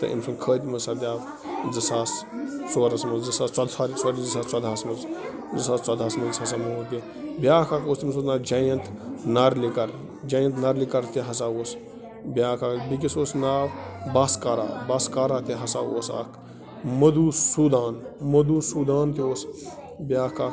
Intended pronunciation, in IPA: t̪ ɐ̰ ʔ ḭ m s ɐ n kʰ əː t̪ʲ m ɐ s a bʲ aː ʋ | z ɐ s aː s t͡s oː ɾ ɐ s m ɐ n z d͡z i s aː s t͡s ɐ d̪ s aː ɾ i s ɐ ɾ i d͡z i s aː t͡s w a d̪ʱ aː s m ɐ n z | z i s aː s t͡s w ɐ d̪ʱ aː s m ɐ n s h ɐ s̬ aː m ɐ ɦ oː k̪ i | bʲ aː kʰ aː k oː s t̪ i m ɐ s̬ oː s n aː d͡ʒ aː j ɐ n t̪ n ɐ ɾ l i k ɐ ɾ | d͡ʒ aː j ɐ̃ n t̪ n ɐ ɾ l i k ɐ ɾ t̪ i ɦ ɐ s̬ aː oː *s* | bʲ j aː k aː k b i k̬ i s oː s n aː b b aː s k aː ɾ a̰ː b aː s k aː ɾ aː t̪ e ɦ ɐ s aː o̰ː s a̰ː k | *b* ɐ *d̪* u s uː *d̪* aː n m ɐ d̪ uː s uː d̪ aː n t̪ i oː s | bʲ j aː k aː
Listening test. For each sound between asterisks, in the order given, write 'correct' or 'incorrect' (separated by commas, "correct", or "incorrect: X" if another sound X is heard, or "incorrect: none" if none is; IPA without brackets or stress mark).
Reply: correct, incorrect: m, correct, correct